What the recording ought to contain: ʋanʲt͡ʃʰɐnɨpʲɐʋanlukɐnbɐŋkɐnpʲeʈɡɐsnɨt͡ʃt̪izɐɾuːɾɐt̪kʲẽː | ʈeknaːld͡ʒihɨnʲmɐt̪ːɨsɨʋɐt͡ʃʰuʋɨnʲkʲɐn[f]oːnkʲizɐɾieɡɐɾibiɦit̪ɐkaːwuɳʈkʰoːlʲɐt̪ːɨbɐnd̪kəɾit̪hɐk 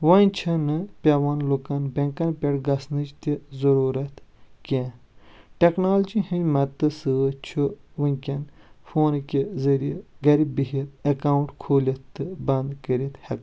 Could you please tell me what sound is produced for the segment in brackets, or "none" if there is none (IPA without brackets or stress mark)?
f